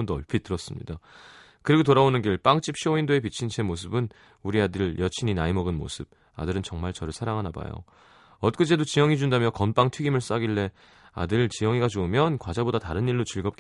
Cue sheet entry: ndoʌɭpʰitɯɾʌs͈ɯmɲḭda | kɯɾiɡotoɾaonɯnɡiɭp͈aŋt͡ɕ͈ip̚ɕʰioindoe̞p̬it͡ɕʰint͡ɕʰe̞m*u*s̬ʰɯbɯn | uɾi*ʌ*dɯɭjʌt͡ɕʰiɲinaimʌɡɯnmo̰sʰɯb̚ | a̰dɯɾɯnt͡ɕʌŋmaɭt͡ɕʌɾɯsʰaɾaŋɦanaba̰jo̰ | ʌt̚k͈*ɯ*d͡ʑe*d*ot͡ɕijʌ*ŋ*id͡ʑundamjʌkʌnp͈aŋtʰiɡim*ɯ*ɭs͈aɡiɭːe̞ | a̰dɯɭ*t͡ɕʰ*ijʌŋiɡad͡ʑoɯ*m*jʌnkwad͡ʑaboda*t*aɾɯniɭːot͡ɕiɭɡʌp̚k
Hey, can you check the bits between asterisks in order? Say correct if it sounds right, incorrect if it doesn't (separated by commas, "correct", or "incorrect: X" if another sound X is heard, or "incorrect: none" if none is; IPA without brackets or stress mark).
incorrect: o, incorrect: a, correct, correct, correct, correct, incorrect: t͡ɕ, correct, correct